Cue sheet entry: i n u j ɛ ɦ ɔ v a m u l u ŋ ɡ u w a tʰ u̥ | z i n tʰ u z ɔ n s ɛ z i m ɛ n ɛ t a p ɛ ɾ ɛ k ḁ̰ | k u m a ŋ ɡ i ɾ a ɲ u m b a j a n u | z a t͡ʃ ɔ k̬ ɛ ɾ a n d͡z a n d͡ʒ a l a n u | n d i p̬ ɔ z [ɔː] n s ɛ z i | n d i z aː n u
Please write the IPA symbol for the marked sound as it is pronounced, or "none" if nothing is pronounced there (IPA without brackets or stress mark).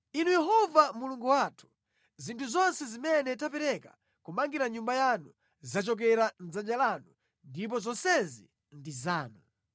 ɔ